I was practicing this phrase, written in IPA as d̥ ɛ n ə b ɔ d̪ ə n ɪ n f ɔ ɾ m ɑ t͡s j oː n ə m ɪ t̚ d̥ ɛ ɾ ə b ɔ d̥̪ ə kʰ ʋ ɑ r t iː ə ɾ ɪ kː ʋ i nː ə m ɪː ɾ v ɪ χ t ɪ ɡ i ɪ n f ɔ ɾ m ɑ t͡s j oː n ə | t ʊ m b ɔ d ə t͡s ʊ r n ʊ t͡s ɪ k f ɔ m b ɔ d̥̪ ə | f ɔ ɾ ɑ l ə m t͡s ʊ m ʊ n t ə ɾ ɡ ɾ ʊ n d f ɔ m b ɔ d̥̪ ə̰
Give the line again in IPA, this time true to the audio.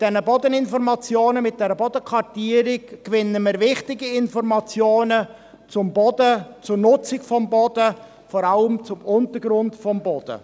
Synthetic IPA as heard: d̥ ɛ n ə b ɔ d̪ ə n ɪ n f ɔ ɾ m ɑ t͡s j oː n ə m ɪ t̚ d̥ ɛ ɾ ə b ɔ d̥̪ ə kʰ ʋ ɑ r t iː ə ɾ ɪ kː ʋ ɪ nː ə m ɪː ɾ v ɪ χ t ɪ ɡ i ɪ n f ɔ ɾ m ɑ t͡s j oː n ə | t͡s ʊ m b ɔ d ə t͡s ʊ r n ʊ t͡s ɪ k f ɔ m b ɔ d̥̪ ə | f ɔ ɾ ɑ l ə m t͡s ʊ m ʊ n t ə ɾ ɡ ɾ ʊ n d f ɔ m b ɔ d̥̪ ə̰